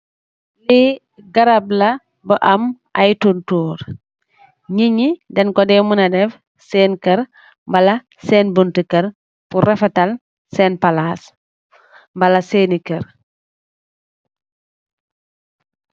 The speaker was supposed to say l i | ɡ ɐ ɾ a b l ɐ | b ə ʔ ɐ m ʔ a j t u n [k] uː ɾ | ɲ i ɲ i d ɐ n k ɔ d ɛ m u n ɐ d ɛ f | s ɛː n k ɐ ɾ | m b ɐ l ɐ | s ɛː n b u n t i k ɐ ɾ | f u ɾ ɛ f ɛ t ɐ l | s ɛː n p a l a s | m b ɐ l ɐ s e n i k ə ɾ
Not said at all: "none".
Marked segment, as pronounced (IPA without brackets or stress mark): t